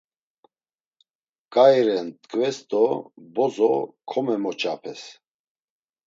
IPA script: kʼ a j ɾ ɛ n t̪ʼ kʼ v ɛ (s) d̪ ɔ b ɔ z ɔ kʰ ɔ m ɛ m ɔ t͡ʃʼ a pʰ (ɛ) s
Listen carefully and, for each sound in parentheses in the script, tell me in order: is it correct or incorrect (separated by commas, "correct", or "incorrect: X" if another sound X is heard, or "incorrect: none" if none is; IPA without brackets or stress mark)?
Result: correct, correct